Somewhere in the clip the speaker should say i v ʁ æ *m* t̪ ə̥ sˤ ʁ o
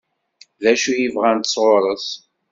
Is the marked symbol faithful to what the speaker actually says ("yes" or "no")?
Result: no